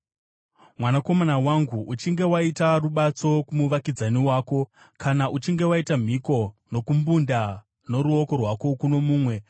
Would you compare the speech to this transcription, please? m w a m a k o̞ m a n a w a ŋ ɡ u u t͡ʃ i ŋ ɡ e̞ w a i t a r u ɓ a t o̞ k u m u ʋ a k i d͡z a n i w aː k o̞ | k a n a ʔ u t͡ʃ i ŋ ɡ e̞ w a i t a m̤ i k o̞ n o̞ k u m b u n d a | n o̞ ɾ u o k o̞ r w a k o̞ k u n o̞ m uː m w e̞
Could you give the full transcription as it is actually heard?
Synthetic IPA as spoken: m w a n a k o̞ m a n a w a ŋ ɡ u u t͡ʃ i ŋ ɡ e̞ w a i t a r u ɓ a t͡s o̞ k u m u ʋ a k i d͡z a n i w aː k o̞ | k a n a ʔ u t͡ʃ i ŋ ɡ e̞ w a i t a m̤ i k o̞ n o̞ k u m b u n d a | n o̞ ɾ u o k o̞ r w a k o̞ k u n o̞ m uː m w e̞